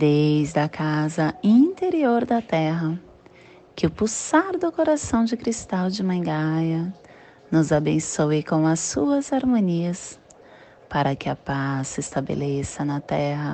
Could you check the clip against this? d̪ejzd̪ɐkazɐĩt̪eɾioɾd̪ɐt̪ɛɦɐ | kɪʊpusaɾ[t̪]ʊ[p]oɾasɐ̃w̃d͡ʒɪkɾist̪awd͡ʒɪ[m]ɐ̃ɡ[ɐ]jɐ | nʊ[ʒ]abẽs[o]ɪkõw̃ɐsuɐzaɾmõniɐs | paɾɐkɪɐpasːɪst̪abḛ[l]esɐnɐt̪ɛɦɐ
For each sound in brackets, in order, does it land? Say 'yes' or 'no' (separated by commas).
no, no, yes, no, no, yes, yes